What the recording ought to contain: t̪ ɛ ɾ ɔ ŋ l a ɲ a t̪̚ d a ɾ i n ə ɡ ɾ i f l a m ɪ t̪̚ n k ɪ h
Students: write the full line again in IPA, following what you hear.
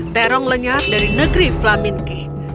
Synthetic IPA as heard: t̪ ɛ ɾ ɔ ŋ l ə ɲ a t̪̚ d a ɾ i n ə ɡ ɾ i f l a m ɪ n k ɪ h